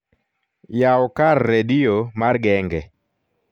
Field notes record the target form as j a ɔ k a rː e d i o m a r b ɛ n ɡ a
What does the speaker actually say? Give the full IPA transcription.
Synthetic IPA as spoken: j a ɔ k a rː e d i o m a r ɡ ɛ ŋ ɡ ɛ